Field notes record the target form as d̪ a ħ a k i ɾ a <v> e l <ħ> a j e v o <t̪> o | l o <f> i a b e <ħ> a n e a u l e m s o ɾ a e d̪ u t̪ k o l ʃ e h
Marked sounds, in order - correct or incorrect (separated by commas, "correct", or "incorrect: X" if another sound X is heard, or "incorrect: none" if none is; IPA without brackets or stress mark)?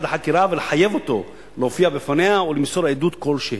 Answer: correct, correct, correct, correct, incorrect: f